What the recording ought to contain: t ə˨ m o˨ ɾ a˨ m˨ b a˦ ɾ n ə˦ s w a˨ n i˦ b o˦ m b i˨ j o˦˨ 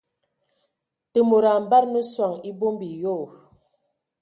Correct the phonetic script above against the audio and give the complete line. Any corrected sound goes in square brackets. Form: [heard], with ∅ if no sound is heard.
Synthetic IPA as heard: t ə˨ m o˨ ɾ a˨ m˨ b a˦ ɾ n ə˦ s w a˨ [ŋ] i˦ b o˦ m b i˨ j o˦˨